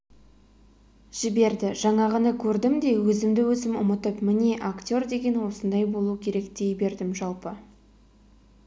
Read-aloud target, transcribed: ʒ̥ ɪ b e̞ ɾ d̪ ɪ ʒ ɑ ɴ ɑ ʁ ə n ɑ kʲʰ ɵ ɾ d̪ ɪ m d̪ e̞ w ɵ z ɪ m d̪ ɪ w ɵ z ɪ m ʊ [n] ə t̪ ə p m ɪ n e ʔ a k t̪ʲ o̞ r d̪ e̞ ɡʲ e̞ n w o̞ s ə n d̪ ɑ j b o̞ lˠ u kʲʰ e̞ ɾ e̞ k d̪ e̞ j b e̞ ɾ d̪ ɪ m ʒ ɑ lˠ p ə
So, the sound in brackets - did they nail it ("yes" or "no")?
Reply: no